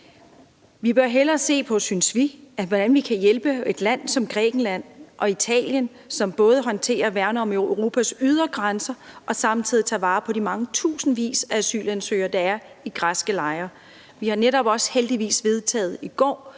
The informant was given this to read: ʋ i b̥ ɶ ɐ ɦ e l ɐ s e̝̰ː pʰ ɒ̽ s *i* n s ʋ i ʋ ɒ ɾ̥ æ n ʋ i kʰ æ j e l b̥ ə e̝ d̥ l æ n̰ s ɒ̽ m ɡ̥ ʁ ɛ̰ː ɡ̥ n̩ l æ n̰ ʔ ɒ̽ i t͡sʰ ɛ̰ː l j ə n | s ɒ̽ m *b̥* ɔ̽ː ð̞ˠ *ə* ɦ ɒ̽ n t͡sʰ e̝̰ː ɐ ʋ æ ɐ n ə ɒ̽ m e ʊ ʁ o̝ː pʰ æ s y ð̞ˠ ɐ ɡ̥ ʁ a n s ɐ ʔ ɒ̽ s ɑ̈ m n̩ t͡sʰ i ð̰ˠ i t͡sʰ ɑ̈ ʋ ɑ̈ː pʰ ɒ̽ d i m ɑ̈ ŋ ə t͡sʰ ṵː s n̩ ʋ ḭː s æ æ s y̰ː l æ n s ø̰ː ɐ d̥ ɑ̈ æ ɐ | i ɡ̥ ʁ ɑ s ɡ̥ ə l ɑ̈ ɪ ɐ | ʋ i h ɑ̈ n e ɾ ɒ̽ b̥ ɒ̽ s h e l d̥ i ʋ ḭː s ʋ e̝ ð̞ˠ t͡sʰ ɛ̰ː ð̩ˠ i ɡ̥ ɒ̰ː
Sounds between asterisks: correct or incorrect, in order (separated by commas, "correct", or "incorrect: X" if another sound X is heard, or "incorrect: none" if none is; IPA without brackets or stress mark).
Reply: incorrect: y, correct, correct